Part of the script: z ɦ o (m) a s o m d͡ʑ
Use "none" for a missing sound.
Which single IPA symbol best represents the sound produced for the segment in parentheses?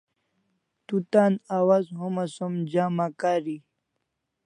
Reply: m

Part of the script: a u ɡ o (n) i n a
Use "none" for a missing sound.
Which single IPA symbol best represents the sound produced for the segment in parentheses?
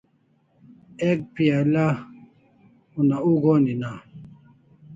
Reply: n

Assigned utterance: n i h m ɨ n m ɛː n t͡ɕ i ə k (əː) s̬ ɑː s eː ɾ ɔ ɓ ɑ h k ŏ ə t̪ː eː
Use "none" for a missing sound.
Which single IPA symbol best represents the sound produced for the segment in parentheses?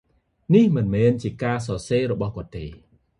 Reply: aː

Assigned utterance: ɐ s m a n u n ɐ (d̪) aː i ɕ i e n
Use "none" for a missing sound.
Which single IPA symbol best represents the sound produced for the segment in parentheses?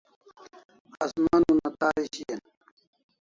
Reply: t̪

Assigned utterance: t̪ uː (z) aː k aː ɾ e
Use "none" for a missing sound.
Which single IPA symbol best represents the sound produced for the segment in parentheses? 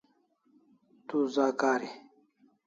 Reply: z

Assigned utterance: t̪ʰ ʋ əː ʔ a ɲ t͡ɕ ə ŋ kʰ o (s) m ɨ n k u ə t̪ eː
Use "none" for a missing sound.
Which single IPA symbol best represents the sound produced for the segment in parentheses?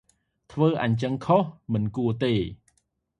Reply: h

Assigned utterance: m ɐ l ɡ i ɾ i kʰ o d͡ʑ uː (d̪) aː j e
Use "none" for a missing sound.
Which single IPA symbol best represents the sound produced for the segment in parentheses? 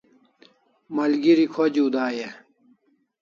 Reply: d̪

